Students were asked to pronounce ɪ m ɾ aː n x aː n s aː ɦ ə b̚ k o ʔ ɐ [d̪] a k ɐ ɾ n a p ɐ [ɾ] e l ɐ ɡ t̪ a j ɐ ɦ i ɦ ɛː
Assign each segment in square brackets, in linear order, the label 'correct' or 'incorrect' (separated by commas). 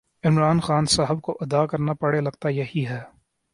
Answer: correct, incorrect